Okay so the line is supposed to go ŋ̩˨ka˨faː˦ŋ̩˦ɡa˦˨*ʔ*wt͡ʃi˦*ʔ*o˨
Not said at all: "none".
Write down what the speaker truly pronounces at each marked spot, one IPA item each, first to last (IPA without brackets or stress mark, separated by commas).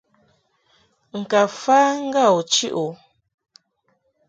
none, ʔ